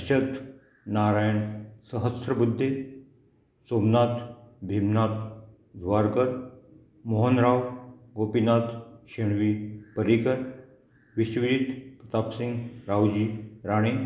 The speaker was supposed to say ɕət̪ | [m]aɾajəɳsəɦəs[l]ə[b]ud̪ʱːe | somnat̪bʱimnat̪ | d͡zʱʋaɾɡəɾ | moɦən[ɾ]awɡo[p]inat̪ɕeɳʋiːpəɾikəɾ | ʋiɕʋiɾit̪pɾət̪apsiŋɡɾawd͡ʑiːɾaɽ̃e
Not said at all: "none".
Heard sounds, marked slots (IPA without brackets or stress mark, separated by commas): n, ɾ, b, ɾ, p